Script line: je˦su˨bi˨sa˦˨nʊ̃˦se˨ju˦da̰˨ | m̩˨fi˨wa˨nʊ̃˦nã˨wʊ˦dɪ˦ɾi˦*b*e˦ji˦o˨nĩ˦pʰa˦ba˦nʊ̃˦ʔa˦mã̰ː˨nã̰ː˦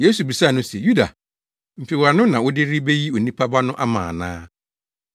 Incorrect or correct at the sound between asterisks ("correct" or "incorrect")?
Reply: correct